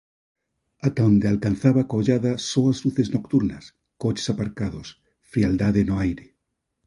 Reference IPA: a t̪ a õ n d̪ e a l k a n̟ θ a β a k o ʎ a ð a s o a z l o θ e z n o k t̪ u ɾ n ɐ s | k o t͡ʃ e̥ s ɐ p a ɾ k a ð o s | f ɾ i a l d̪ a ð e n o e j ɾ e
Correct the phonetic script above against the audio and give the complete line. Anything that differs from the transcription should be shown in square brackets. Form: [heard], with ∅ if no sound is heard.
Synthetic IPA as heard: a t̪ a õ n d̪ e a l k a n̟ θ a β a k o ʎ a ð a s o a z l [u] θ e z n o k t̪ u ɾ n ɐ s | k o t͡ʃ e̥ s [a] p a ɾ k a ð o s | f ɾ i a l d̪ a ð e n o [a] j ɾ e